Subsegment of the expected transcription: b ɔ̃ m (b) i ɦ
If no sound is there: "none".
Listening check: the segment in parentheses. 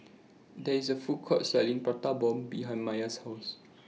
b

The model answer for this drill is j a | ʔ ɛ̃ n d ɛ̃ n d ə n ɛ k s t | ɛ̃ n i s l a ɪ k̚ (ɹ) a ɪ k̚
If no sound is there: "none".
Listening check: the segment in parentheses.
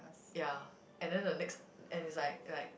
l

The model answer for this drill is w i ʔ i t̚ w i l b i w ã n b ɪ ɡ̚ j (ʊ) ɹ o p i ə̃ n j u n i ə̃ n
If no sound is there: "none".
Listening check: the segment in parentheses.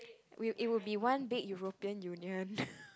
u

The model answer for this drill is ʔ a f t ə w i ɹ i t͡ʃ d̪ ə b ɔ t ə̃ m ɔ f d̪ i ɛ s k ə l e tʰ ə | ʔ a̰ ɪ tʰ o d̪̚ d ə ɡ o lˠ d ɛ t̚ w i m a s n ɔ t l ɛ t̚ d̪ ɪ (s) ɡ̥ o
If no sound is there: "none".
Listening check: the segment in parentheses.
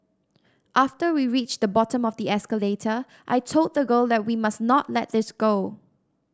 s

